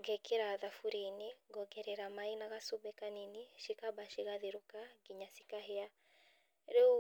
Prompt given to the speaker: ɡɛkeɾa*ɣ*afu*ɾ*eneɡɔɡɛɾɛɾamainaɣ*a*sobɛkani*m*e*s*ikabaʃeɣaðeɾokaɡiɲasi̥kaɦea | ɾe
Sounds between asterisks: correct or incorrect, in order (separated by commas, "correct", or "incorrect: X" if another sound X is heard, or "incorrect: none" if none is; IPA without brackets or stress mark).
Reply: incorrect: ð, correct, correct, incorrect: n, incorrect: ʃ